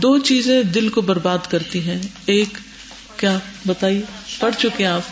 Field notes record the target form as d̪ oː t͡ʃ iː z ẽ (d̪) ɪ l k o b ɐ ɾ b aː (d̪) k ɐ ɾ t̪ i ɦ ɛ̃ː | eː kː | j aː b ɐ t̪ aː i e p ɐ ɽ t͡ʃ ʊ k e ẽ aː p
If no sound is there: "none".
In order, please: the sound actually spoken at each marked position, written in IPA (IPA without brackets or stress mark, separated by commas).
d̪, d̪